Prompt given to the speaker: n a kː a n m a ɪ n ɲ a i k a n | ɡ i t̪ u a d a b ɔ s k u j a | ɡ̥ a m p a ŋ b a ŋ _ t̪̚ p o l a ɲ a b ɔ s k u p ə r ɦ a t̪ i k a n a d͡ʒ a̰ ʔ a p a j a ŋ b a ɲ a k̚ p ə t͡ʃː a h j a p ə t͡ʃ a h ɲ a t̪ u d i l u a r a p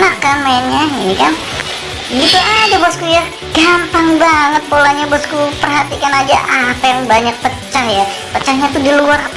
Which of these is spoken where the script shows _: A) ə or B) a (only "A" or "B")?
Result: A